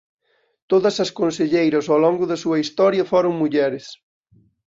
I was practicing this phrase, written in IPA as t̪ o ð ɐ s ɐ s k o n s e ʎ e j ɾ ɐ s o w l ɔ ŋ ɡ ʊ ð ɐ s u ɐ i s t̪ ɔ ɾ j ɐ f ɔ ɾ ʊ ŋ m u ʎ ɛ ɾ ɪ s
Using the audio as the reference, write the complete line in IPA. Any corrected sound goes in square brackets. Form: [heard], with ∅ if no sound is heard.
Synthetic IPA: t̪ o ð ɐ s ɐ s k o n s e ʎ e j ɾ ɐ s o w l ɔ ŋ ɡ ʊ ð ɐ s u ɐ i s t̪ ɔ ɾ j ɐ f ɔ ɾ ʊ ŋ m u ʎ ɛ ɾ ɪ s